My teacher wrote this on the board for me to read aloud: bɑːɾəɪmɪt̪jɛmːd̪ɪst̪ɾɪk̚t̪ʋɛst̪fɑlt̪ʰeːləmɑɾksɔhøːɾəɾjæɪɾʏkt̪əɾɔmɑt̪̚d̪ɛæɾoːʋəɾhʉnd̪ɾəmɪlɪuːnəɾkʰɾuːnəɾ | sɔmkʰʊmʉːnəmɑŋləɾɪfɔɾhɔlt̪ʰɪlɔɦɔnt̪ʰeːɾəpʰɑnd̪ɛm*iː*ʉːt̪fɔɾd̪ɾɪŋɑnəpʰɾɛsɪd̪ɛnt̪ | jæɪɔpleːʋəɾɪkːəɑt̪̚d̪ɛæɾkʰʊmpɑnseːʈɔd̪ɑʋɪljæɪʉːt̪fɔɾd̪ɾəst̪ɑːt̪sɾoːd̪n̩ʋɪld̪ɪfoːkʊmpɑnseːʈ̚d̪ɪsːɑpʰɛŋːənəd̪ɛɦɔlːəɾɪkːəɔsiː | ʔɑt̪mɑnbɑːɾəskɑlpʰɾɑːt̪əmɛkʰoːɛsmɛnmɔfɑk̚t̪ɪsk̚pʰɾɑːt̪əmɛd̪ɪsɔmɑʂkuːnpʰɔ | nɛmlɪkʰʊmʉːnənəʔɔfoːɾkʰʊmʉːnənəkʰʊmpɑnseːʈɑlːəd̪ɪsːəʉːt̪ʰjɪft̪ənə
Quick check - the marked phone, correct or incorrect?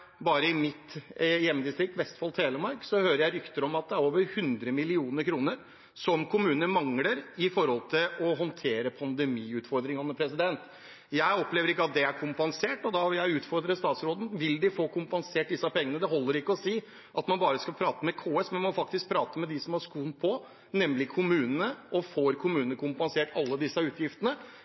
correct